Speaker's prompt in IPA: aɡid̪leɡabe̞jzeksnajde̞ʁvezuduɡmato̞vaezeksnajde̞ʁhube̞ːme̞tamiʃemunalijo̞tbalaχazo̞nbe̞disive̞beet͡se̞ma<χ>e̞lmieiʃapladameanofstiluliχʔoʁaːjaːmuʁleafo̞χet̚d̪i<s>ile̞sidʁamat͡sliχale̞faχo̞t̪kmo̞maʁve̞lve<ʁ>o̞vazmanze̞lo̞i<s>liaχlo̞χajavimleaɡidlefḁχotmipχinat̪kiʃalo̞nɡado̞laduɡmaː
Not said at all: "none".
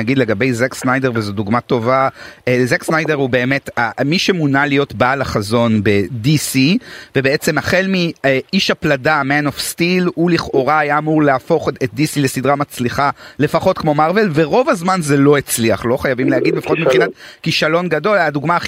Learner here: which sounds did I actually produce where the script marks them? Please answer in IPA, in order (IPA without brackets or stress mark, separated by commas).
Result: χ, s, ʁ, t͡s